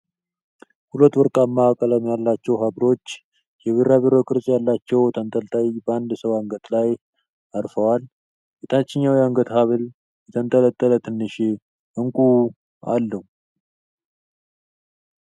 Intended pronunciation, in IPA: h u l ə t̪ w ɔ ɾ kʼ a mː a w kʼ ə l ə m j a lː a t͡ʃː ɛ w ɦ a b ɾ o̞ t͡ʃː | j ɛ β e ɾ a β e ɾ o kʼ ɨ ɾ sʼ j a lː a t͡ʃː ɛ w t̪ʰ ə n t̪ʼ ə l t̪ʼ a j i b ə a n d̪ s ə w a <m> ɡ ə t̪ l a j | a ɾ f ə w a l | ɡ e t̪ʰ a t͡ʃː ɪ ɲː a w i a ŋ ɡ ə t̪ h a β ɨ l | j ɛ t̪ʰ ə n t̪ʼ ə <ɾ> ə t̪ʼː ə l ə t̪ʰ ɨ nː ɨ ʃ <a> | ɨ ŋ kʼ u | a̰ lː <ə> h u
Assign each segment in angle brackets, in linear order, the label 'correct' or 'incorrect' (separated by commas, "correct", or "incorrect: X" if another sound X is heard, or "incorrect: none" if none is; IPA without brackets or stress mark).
incorrect: ŋ, incorrect: l, incorrect: e, correct